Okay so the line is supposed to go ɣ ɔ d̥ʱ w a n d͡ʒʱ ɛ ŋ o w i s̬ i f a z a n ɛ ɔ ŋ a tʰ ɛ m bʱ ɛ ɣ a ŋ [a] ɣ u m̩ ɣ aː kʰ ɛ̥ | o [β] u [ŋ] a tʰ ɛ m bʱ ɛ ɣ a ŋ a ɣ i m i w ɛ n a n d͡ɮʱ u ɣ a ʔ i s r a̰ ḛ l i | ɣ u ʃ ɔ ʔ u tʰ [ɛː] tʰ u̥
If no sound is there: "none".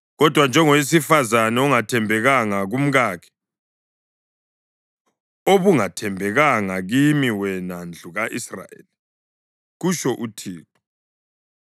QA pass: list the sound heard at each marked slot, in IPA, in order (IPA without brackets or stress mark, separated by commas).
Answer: a, β, ŋ, iː